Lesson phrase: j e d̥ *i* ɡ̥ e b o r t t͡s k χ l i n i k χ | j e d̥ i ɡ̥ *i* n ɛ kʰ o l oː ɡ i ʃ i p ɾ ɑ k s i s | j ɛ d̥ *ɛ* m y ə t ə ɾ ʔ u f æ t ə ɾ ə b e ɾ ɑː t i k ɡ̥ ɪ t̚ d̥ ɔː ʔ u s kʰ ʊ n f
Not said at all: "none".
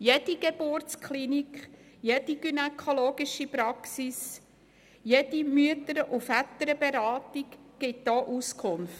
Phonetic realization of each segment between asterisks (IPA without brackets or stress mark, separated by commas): i, y, i